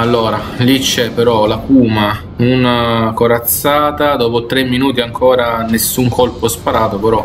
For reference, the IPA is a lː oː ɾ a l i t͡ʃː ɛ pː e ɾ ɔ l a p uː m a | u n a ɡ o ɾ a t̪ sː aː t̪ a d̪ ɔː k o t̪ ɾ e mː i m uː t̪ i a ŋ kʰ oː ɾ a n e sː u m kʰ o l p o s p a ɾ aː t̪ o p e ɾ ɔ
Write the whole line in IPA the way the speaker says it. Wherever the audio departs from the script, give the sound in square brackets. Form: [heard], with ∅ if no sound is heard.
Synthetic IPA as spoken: a lː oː ɾ a l i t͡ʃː ɛ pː e ɾ ɔ l a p uː m a | u n a [k] o ɾ a t̪ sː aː t̪ a d̪ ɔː [p] o t̪ ɾ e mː i [n] uː t̪ i a ŋ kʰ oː ɾ a n e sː u [ŋ] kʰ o l p o s p a ɾ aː t̪ o p e ɾ ɔ